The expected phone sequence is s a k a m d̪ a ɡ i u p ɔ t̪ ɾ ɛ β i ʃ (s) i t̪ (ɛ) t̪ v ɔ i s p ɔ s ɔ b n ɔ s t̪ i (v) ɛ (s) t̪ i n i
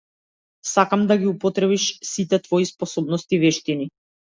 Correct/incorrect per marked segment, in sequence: correct, correct, correct, incorrect

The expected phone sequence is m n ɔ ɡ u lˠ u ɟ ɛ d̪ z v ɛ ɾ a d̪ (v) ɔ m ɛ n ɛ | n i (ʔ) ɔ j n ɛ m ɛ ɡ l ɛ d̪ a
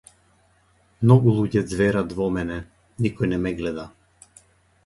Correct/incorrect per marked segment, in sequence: correct, incorrect

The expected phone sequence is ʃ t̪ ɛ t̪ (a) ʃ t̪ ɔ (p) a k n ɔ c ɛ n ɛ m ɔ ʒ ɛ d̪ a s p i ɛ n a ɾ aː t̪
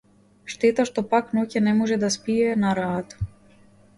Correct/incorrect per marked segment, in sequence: correct, correct

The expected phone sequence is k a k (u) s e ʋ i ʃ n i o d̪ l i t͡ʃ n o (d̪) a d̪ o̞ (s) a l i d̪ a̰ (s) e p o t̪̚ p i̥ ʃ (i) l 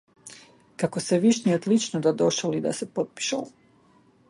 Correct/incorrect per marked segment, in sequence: incorrect, correct, incorrect, correct, incorrect

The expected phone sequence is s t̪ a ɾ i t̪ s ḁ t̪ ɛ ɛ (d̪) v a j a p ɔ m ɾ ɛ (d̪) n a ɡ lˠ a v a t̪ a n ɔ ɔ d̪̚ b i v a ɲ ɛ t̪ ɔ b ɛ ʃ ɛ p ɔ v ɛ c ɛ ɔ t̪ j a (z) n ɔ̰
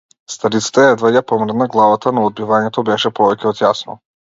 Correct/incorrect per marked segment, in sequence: correct, correct, incorrect

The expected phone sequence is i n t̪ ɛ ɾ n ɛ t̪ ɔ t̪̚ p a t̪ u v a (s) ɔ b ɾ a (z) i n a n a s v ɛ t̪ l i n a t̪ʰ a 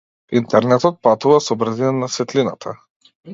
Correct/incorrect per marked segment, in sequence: correct, correct

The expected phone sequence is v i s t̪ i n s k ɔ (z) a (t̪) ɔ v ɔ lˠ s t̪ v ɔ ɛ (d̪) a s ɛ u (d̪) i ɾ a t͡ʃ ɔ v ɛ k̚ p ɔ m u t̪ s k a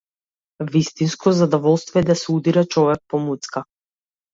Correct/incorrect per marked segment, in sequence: correct, incorrect, correct, correct

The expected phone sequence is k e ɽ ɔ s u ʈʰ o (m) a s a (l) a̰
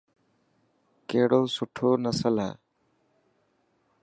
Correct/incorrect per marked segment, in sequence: incorrect, correct

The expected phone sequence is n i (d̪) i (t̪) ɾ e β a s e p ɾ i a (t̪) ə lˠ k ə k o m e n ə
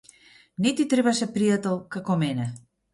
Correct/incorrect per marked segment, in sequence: incorrect, correct, correct

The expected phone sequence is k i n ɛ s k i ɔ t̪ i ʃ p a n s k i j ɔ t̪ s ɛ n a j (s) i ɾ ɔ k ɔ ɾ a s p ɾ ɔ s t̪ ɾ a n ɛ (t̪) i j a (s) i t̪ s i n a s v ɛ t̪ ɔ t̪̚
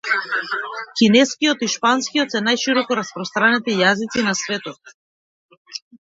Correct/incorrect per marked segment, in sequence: incorrect, correct, incorrect

